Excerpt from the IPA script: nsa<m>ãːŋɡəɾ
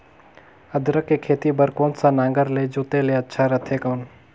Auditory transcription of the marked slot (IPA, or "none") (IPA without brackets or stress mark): n